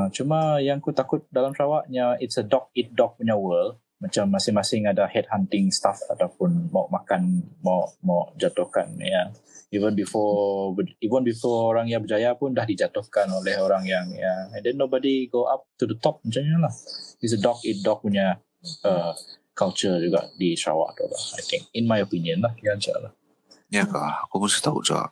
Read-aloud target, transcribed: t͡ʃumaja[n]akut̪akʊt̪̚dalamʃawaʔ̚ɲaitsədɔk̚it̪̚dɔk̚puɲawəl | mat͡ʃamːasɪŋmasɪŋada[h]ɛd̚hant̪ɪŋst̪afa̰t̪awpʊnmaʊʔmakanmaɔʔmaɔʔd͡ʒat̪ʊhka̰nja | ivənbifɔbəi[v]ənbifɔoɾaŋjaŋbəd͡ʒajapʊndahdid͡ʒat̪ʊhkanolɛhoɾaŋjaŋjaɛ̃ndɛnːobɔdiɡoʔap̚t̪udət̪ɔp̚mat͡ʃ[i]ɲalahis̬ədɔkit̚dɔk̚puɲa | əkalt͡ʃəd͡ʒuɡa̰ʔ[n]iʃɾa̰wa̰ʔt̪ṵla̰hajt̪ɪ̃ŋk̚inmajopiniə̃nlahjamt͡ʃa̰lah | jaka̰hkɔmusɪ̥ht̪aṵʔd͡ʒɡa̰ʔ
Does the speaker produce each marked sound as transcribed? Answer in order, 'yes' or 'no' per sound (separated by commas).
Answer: no, yes, yes, no, no